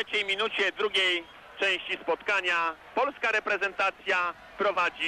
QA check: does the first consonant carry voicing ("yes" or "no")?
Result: no